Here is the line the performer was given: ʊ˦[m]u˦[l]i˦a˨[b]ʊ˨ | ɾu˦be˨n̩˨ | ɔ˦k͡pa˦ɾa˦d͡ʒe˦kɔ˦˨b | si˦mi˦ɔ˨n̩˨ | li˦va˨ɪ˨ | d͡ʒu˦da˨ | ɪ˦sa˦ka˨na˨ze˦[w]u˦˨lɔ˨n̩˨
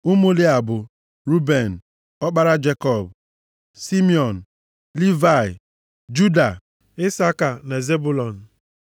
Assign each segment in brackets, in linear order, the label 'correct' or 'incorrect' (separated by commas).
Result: correct, correct, correct, incorrect